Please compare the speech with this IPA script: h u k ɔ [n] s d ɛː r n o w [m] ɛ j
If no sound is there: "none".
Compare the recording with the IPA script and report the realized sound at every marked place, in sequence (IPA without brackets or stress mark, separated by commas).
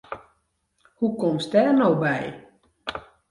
m, b